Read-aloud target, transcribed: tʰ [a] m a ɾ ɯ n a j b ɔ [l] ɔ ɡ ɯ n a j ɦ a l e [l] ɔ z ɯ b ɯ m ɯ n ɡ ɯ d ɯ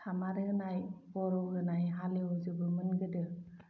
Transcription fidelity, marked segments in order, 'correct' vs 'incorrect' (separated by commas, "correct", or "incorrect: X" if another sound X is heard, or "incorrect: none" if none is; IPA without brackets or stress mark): correct, incorrect: ɾ, incorrect: none